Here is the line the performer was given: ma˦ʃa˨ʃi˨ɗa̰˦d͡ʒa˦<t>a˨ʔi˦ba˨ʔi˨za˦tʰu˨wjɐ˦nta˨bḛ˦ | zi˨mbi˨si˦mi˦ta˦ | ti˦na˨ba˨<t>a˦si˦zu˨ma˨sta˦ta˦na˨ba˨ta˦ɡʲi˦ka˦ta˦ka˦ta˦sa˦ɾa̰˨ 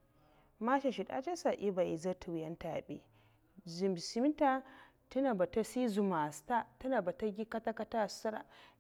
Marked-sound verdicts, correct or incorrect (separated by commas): incorrect, correct